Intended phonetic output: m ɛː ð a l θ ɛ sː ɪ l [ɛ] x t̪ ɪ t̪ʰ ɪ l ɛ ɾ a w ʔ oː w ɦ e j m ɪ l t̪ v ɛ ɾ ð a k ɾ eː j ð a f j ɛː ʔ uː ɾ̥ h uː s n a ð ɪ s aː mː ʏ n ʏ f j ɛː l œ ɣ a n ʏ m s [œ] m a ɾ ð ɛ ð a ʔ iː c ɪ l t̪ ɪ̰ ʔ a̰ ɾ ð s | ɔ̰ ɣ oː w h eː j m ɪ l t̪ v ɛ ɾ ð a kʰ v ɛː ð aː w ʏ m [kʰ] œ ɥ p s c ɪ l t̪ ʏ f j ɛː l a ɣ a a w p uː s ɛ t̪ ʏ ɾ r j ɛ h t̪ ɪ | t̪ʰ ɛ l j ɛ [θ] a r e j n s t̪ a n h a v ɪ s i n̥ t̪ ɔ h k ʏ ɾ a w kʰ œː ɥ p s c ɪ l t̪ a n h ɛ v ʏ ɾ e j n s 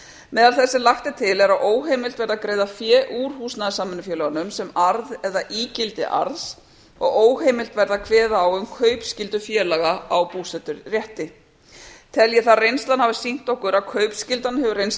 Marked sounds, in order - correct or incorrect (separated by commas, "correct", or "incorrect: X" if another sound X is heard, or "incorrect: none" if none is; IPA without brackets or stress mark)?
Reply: incorrect: a, incorrect: ɛ, correct, correct